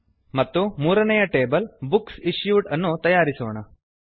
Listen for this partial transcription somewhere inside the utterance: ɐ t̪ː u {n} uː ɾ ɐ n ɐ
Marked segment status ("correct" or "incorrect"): incorrect